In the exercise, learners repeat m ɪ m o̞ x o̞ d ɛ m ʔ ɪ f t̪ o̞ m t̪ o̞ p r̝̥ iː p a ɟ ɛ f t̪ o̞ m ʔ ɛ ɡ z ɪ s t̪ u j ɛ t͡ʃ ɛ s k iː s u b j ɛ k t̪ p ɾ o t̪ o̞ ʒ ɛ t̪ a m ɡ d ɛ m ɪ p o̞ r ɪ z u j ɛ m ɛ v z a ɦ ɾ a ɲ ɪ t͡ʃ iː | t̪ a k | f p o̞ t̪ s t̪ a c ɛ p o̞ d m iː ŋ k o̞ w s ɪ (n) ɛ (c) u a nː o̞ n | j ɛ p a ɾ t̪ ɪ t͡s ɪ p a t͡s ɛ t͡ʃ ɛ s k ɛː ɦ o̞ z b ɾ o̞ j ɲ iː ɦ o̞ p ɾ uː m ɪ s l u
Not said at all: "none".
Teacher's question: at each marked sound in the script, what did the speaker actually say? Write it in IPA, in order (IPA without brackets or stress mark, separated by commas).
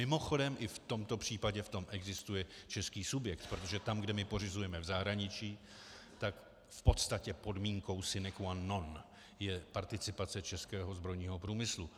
n, k